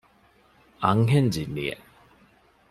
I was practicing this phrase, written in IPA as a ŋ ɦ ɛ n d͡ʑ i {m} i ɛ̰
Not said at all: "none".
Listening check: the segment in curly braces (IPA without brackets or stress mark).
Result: n